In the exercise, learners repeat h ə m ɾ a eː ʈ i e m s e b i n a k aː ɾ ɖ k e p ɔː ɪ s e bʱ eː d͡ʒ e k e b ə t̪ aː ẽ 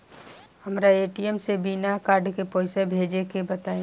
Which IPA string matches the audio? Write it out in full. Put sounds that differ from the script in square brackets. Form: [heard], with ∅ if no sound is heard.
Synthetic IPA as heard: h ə m ɾ a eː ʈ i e m s e b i n a k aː ɾ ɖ k e p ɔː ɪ s e bʱ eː d͡ʒ e k e b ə t̪ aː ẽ